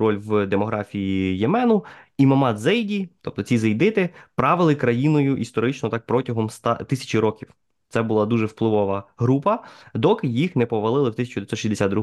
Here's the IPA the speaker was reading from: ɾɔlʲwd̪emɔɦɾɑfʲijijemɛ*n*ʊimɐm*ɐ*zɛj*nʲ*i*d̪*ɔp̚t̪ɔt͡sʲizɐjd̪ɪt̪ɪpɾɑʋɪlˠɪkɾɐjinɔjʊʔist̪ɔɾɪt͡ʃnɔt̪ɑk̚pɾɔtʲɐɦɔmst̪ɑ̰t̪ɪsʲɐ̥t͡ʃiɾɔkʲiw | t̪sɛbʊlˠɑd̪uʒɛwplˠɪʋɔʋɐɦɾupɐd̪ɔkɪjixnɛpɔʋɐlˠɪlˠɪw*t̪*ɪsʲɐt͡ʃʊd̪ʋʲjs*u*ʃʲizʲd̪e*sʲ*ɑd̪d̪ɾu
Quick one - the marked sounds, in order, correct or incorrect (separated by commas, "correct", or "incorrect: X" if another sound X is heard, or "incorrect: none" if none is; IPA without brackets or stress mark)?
correct, incorrect: ɑ, incorrect: dʲ, incorrect: t̪, correct, incorrect: ɔ, correct